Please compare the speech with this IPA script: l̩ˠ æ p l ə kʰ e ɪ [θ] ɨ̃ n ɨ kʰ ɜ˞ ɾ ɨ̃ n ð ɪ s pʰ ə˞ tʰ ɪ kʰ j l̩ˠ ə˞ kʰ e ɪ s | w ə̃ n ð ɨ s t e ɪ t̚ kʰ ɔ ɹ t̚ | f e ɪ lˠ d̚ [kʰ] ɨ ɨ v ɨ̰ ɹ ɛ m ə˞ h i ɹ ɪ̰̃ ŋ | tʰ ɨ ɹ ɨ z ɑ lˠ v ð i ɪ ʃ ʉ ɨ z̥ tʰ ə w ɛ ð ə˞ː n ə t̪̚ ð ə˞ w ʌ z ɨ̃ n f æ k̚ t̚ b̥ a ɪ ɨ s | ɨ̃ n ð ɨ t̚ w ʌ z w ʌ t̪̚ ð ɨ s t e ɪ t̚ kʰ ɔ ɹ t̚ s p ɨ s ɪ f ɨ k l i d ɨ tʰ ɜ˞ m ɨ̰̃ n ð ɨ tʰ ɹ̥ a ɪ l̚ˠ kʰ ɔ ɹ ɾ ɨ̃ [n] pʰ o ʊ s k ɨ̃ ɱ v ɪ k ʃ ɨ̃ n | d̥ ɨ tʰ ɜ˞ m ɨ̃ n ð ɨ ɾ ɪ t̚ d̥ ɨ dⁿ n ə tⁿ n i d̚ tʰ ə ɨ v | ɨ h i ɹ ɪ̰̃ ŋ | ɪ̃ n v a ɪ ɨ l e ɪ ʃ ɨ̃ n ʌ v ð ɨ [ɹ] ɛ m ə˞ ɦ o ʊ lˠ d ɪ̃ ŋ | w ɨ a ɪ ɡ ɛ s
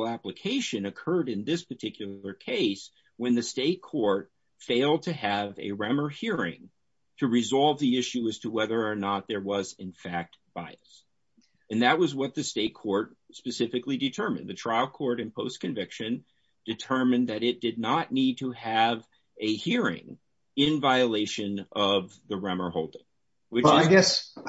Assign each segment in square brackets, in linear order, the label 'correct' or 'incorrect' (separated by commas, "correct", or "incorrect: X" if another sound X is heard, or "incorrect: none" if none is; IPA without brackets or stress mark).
incorrect: ʃ, incorrect: tʰ, correct, correct